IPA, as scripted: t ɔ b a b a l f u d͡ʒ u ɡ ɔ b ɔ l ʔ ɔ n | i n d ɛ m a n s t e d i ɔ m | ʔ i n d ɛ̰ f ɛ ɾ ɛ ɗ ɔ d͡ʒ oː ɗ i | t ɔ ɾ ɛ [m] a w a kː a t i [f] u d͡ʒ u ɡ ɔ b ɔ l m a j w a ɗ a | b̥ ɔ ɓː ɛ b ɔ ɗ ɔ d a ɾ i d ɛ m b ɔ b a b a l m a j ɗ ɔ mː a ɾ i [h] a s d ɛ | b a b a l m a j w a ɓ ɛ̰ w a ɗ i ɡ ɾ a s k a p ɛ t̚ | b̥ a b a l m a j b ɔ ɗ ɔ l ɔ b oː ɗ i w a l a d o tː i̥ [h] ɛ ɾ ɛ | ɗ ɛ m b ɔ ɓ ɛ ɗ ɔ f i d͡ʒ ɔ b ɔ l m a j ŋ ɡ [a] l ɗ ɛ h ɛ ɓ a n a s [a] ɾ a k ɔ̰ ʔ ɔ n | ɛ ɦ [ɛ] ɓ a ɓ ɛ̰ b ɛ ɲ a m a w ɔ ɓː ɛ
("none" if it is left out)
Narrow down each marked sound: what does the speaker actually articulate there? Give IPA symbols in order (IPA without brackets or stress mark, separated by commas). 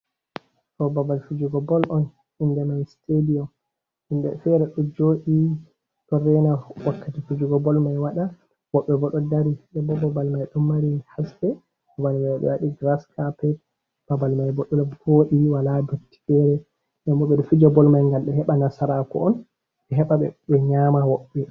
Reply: n, f, h, f, a, a, ɛ